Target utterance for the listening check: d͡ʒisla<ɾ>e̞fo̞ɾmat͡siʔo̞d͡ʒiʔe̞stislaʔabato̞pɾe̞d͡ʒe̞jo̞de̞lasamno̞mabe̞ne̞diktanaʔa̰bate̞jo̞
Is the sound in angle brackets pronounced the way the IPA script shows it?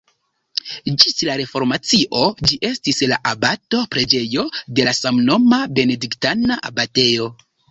yes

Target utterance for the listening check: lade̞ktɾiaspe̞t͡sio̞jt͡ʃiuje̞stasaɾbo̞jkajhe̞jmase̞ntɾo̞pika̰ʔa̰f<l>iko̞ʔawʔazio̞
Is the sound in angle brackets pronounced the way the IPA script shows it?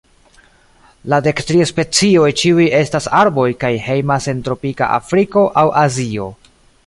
no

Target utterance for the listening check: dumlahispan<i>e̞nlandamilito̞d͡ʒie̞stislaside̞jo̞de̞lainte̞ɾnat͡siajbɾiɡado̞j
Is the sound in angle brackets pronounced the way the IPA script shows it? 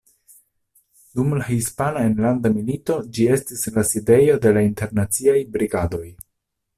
no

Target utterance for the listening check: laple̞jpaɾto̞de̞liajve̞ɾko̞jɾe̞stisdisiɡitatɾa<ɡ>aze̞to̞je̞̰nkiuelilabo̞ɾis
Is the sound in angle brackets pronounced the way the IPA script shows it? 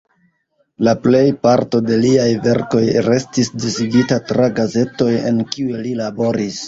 yes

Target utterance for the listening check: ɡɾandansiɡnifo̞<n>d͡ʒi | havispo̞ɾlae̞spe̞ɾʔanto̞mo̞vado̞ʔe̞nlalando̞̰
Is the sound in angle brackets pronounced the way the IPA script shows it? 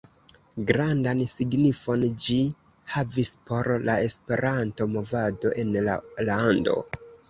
yes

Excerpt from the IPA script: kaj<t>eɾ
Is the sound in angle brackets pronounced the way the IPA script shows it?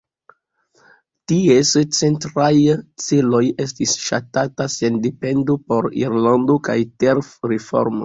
yes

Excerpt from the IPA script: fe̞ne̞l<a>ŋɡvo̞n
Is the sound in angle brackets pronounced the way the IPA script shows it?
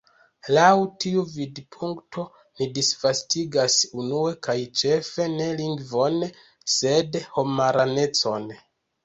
no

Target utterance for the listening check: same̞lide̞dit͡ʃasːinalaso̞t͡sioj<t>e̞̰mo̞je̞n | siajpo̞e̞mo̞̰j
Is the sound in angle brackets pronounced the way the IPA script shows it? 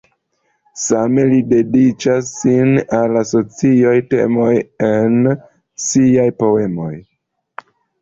yes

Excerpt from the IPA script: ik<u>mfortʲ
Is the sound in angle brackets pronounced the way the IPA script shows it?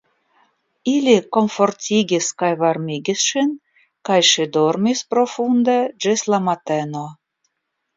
no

